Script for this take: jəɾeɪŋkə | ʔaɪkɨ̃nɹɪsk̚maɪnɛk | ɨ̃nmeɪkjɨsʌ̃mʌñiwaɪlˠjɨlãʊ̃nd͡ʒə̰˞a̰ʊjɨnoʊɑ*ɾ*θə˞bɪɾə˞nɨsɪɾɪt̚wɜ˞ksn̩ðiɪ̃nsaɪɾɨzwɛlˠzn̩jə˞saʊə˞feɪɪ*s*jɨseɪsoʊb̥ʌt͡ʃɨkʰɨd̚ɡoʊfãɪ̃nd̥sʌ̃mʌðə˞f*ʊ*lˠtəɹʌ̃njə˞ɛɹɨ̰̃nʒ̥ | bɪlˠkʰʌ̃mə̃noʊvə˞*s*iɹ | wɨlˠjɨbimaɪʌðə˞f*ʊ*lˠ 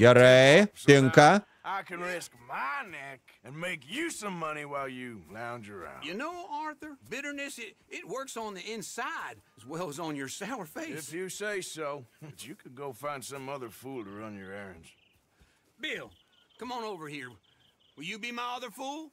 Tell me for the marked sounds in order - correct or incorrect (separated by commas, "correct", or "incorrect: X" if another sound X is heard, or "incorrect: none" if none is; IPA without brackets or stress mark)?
incorrect: ɹ, incorrect: f, incorrect: u, incorrect: h, incorrect: u